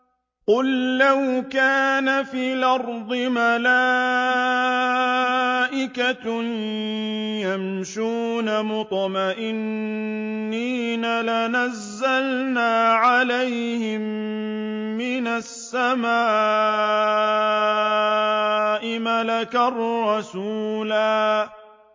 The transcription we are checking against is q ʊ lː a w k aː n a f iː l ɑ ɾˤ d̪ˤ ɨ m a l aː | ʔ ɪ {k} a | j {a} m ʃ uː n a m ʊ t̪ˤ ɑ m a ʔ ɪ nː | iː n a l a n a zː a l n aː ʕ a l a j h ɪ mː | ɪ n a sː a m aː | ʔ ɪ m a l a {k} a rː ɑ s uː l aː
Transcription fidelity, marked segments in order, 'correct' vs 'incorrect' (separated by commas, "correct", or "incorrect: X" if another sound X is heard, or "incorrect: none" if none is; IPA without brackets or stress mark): correct, correct, correct